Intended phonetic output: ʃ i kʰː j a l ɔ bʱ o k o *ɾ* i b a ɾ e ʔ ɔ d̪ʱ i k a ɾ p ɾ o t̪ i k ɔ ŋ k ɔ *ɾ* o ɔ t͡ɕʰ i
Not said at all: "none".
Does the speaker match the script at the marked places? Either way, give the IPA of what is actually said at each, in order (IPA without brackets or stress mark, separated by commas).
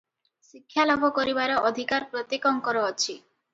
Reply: ɾ, ɾ